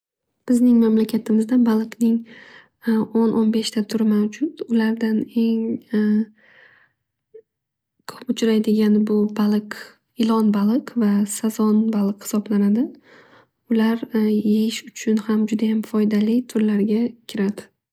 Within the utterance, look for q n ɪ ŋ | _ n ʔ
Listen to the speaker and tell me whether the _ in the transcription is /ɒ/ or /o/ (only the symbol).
o